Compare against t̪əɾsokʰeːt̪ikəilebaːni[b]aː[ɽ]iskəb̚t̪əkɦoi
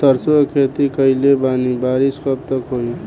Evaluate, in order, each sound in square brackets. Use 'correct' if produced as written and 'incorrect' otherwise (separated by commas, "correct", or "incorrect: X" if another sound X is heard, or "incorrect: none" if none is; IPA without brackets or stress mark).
correct, incorrect: ɾ